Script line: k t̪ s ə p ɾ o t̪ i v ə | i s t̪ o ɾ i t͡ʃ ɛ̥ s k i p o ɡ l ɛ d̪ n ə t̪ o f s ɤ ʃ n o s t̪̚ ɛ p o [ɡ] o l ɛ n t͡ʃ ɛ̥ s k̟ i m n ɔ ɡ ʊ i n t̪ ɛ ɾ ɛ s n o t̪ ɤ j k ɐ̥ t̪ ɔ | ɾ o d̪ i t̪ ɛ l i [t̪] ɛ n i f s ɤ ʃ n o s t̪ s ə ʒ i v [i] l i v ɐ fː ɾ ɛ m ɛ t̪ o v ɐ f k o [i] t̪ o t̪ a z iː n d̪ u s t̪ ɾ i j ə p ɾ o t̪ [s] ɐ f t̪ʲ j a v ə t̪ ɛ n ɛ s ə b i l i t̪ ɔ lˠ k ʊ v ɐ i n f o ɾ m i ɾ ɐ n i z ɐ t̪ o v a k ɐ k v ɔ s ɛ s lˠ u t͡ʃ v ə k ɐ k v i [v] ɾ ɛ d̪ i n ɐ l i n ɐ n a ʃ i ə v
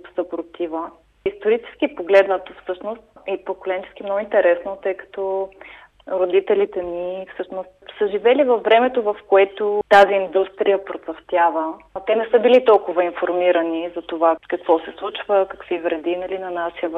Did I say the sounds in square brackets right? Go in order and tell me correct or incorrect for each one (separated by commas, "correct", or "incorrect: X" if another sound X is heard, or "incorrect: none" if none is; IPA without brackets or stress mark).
incorrect: k, correct, incorrect: ɛ, incorrect: ɛ, correct, correct